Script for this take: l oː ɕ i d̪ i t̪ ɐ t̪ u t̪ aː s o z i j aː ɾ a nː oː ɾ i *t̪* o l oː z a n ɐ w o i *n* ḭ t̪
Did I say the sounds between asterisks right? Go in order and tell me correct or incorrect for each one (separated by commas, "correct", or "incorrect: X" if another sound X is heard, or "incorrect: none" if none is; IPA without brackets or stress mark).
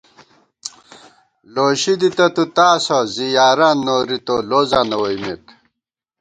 correct, incorrect: m